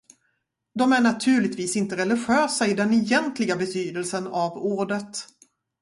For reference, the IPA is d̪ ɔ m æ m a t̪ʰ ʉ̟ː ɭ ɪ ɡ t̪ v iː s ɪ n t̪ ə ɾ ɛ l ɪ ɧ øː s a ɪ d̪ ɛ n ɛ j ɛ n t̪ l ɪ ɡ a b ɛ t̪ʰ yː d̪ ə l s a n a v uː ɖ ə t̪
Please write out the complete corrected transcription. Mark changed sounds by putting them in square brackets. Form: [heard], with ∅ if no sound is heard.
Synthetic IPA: d̪ ɔ m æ [ɳ] a t̪ʰ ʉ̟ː ɭ ɪ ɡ t̪ v iː s ɪ n t̪ ə ɾ ɛ l ɪ ɧ øː s a ɪ d̪ ɛ n ɛ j ɛ n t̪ l ɪ ɡ a b ɛ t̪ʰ yː d̪ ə l s [ə] n a v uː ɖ ə t̪